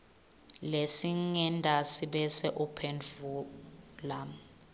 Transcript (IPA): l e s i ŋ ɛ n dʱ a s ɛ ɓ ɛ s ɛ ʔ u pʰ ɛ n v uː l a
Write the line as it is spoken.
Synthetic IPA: l e s i ŋ ɛ n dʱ a s i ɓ ɛ s ɛ ʔ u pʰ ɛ n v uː l a